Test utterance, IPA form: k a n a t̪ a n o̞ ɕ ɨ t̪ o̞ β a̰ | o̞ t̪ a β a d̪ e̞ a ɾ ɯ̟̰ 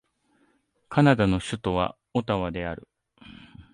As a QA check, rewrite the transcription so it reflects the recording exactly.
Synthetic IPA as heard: k a n a d̪ a n o̞ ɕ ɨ t̪ o̞ β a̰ | o̞ t̪ a β a d̪ e̞ a ɾ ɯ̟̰

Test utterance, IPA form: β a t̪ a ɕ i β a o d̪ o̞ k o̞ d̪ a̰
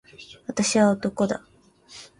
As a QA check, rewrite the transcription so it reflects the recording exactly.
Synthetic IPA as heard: β a t̪ a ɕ i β a o t̪ o̞ k o̞ d̪ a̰

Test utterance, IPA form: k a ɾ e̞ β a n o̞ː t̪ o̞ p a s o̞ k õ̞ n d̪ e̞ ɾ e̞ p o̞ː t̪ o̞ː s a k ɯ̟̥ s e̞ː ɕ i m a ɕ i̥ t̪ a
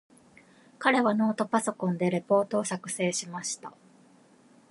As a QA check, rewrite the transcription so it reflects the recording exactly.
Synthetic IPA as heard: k a ɾ e̞ β a n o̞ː t̪ o̞ p a s o̞ k õ̞ n d̪ e̞ ɾ e̞ p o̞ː t̪ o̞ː s a k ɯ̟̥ s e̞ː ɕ i m a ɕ i̥ t̪ a

